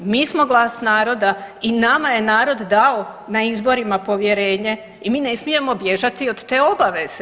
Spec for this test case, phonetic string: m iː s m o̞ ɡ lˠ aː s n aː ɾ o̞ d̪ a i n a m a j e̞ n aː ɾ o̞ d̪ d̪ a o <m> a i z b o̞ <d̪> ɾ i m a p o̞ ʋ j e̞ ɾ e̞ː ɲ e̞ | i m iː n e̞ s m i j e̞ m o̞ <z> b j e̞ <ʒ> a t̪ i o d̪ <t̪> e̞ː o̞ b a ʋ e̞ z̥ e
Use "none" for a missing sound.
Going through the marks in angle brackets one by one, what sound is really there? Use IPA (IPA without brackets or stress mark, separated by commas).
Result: n, none, none, ʒ, t̪